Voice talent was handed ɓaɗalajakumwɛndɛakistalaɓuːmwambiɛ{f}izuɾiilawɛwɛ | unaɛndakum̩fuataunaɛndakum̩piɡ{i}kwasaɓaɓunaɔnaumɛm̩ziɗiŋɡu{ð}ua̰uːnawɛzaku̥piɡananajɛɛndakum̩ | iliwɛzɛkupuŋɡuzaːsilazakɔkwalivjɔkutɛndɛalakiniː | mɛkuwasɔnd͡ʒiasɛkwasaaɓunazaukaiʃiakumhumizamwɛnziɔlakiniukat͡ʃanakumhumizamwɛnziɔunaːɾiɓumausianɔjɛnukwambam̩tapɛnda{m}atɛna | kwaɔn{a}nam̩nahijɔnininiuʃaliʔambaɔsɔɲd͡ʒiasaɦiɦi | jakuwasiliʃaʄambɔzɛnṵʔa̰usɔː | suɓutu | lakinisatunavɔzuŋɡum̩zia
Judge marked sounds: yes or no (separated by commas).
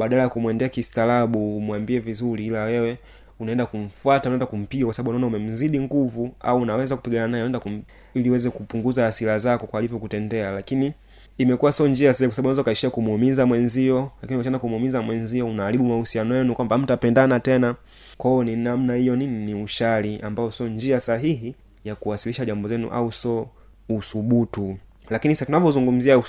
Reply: no, no, no, no, no